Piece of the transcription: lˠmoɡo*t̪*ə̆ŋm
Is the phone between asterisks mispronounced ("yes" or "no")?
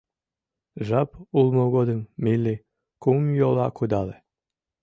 yes